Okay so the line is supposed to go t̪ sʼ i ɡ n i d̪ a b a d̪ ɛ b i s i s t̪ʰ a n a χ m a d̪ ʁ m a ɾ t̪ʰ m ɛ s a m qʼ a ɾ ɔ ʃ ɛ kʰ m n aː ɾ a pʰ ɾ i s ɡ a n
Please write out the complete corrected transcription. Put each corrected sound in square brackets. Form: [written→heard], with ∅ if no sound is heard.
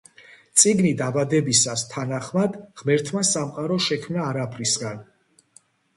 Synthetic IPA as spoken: t̪ sʼ i ɡ n i d̪ a b a d̪ ɛ b i s [i→a] s t̪ʰ a n a χ m a d̪ ʁ m [a→ɛ] ɾ t̪ʰ m [ɛ→a] s a m qʼ a ɾ ɔ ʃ ɛ kʰ m n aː ɾ a pʰ ɾ i s ɡ a n